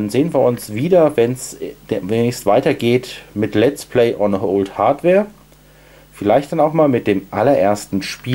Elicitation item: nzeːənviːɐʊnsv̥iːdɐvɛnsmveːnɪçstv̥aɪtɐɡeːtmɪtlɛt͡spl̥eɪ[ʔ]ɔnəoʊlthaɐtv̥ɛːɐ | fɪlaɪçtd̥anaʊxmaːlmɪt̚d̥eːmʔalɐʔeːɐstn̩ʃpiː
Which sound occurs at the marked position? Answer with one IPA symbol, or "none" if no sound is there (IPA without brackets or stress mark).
ʔ